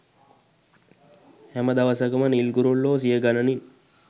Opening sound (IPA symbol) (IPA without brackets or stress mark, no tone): h